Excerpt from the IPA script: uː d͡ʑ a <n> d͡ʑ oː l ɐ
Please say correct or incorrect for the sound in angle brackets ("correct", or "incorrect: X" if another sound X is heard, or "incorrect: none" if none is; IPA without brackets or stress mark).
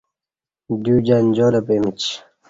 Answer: correct